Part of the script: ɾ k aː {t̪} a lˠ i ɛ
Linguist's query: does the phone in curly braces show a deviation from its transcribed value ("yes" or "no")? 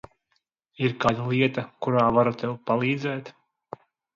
yes